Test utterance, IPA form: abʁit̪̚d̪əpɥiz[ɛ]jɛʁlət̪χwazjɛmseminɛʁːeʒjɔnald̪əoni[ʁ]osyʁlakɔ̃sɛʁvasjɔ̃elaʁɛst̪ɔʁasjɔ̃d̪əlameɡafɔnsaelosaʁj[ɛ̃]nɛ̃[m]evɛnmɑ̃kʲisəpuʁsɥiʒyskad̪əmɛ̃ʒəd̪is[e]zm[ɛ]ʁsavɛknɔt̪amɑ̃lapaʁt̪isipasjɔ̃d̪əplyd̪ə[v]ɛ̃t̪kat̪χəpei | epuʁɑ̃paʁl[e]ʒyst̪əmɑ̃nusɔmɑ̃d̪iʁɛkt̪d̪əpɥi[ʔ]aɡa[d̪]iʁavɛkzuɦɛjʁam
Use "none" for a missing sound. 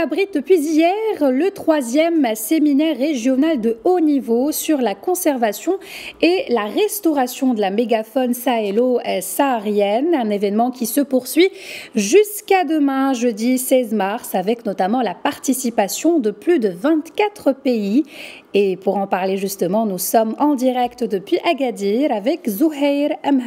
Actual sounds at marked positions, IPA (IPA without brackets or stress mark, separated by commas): i, v, ɛ, n, ɛ, a, v, e, ʔ, d̪